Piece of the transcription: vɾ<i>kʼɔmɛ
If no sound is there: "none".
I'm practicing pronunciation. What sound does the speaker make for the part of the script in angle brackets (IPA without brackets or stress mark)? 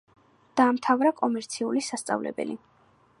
a